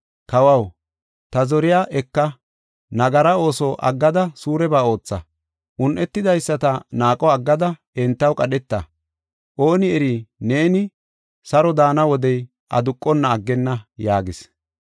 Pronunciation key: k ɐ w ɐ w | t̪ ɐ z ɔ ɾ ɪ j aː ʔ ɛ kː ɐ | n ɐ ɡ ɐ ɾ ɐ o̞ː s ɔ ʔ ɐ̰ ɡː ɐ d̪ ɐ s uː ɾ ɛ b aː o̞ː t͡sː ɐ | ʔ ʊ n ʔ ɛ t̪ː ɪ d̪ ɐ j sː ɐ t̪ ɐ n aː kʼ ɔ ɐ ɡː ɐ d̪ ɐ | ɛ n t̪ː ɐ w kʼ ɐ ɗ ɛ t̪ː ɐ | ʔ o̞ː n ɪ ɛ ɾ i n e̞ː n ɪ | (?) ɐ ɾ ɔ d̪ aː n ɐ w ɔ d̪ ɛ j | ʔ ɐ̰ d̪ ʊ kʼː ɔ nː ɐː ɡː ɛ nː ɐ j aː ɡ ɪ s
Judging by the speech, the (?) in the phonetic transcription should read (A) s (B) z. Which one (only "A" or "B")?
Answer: A